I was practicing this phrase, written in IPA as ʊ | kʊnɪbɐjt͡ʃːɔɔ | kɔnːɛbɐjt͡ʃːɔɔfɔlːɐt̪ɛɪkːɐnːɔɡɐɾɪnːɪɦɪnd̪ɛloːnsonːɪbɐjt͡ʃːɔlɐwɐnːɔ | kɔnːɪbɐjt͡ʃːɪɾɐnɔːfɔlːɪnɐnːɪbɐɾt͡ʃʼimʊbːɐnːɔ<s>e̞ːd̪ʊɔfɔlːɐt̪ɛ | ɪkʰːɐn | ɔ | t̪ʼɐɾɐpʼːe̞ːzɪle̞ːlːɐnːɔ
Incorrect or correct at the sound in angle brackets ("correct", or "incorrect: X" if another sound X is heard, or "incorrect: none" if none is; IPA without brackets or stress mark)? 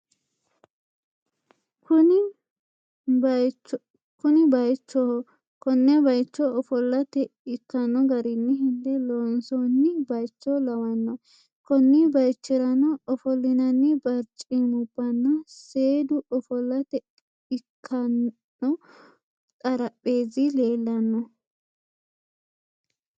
correct